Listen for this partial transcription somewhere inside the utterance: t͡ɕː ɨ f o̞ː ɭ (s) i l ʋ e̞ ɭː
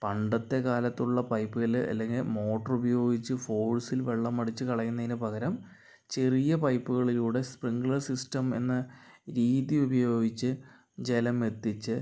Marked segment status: correct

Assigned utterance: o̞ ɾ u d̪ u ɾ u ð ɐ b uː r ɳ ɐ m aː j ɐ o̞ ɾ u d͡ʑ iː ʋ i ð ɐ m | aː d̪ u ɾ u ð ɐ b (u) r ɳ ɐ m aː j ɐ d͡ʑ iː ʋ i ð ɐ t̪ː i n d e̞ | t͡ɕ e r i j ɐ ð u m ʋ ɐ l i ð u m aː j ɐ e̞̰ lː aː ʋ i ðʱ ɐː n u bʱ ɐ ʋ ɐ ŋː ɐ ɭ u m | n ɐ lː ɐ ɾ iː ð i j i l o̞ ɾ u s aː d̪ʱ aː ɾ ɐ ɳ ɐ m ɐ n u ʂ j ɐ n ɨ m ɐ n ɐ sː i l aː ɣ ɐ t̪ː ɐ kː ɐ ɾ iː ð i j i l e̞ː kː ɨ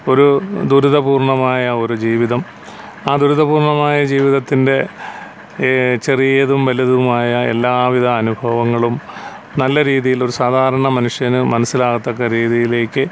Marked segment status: incorrect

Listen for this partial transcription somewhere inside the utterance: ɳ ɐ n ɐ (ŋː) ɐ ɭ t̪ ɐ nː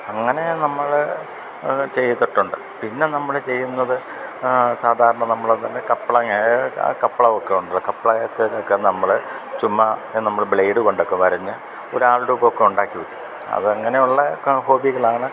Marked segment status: incorrect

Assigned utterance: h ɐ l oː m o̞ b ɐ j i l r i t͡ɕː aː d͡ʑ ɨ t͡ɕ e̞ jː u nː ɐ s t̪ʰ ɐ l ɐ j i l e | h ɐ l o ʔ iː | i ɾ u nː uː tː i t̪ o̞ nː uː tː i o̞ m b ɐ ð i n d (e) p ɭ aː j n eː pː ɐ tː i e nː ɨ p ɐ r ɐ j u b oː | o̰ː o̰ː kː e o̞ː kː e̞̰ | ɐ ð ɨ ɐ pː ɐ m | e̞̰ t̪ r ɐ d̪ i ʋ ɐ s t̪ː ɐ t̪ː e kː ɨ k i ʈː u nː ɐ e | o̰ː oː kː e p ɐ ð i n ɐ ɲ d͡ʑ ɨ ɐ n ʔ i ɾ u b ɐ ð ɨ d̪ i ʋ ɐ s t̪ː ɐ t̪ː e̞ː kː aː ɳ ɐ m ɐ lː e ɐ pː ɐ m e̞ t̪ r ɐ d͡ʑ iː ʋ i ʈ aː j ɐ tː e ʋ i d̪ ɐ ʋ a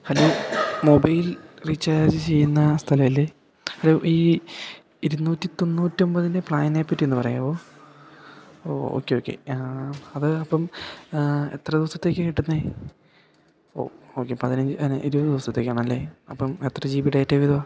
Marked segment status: correct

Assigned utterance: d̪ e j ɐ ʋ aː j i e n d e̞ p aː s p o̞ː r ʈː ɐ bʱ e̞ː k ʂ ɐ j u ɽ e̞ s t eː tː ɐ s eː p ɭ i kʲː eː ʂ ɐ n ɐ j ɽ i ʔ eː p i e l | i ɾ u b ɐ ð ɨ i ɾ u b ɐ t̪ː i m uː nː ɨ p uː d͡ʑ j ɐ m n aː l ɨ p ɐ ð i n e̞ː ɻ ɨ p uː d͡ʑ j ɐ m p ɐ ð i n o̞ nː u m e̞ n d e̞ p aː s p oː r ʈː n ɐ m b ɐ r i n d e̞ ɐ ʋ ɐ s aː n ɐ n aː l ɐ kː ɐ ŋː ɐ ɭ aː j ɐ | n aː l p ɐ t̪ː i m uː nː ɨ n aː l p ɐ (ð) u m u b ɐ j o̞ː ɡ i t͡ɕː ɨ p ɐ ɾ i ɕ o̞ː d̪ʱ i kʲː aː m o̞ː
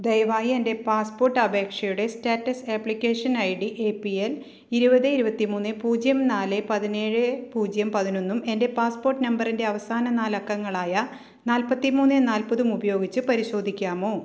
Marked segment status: correct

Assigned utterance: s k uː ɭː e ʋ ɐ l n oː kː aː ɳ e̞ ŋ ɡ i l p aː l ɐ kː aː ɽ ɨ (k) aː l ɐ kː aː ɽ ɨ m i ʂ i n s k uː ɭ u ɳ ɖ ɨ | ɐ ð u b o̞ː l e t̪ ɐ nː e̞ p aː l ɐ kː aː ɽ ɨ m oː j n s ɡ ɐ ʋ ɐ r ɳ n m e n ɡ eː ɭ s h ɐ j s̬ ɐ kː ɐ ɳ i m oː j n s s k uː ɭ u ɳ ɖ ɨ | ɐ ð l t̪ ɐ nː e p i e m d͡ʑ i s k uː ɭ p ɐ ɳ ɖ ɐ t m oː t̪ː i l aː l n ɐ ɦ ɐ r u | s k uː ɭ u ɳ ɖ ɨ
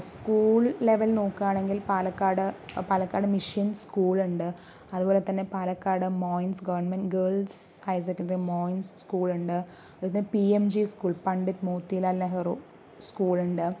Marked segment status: incorrect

